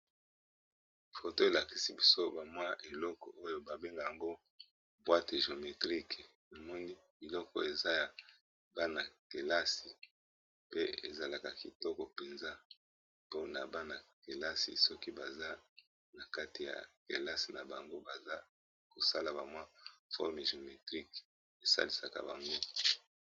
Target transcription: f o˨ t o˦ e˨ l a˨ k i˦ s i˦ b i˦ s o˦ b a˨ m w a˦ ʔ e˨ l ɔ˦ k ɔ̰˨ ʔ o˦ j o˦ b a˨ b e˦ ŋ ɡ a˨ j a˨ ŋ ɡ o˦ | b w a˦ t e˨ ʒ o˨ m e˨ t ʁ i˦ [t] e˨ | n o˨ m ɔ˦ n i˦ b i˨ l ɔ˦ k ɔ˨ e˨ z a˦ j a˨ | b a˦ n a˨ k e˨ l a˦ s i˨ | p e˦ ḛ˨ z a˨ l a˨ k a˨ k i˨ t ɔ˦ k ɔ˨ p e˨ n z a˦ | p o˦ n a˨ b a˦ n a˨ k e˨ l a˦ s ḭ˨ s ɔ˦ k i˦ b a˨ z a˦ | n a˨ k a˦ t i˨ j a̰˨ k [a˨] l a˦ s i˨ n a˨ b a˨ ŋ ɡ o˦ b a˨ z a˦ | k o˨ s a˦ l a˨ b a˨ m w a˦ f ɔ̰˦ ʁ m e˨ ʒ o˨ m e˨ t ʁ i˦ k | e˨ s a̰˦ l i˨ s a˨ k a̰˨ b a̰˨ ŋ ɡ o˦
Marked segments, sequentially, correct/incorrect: incorrect: k, incorrect: e˨

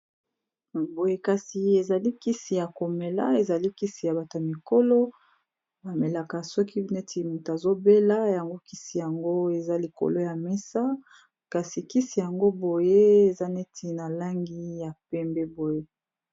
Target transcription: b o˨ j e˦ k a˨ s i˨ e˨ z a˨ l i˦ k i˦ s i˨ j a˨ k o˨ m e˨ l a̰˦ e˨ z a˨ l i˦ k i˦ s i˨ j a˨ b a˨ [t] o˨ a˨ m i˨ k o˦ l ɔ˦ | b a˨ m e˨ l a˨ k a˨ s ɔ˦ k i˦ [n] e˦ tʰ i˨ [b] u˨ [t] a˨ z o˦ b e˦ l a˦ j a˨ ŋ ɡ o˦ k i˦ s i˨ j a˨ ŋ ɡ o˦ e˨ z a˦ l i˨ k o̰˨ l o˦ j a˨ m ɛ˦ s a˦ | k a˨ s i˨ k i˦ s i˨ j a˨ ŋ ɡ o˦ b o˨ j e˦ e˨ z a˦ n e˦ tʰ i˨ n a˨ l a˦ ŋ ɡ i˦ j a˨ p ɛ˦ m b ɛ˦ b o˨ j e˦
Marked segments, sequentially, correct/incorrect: correct, correct, incorrect: m, correct

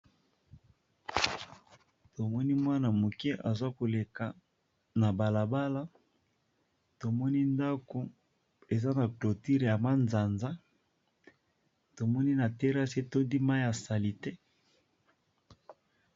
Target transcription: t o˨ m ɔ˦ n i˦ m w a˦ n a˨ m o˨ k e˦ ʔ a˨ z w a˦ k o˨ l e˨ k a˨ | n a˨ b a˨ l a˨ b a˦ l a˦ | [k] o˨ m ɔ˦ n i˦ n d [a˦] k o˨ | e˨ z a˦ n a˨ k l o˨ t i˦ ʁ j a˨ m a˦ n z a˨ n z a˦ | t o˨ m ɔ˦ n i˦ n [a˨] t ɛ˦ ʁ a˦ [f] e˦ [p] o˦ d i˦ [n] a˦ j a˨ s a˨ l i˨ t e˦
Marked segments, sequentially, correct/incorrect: incorrect: t, correct, correct, incorrect: s, incorrect: t, incorrect: m

